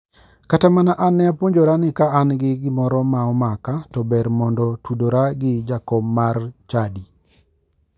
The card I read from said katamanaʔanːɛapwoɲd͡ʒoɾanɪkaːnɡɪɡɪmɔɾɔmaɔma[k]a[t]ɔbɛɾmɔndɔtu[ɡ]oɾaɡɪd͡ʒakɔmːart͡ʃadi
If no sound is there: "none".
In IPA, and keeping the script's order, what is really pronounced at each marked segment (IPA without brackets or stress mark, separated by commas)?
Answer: k, t, d